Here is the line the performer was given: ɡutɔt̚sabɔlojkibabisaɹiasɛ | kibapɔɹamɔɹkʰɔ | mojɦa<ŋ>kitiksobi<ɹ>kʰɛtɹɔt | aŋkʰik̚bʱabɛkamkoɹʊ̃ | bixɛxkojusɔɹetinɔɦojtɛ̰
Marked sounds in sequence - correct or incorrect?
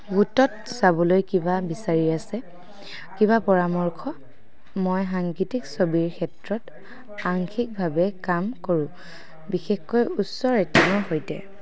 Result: correct, correct

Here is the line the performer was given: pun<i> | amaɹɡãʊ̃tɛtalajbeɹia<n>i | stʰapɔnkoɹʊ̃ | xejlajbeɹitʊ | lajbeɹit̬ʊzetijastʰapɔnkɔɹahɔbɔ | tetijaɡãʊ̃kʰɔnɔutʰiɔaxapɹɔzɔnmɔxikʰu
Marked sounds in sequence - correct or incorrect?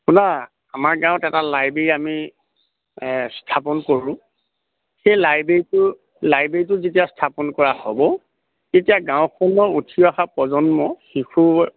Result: incorrect, incorrect

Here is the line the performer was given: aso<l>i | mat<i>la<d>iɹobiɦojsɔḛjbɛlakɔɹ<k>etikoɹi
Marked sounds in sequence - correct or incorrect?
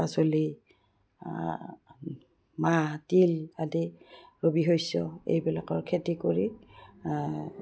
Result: correct, correct, correct, incorrect

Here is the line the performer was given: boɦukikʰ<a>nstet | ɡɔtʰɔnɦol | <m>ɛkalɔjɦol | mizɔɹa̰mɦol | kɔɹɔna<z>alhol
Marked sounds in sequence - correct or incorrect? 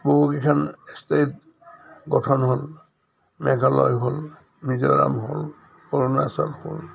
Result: correct, correct, incorrect

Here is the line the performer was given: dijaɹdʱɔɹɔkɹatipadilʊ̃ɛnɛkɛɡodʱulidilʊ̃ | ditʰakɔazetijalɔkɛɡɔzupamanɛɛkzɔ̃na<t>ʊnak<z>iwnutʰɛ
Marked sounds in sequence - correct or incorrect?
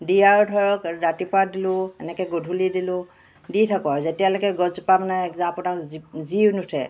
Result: incorrect, correct

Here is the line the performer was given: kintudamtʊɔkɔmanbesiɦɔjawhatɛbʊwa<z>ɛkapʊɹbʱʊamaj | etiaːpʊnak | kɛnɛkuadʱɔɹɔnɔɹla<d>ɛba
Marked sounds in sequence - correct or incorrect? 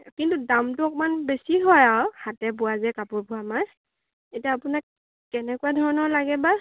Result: correct, incorrect

